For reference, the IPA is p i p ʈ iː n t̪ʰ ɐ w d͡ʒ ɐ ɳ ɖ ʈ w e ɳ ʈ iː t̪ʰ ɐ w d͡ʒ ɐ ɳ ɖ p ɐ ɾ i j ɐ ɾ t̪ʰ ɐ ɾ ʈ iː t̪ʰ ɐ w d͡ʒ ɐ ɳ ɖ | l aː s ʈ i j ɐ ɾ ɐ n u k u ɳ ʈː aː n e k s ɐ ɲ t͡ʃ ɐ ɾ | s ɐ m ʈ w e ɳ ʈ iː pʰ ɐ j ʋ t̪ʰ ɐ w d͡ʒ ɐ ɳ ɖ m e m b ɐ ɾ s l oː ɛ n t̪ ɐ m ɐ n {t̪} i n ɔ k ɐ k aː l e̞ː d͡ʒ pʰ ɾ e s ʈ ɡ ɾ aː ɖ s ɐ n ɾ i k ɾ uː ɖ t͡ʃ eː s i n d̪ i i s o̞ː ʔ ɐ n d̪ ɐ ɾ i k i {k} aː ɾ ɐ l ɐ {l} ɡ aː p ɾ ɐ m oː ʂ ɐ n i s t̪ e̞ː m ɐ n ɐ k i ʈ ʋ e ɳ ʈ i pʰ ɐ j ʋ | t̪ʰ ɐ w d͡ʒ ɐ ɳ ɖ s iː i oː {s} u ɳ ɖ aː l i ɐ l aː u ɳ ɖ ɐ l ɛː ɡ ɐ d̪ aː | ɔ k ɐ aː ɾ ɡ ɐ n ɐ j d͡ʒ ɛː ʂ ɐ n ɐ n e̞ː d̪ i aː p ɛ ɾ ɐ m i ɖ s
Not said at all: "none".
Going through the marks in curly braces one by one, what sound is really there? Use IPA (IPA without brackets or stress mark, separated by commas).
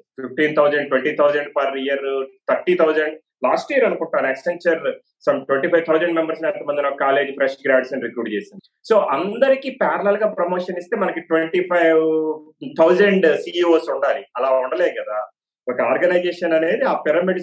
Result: d̪, p, l, s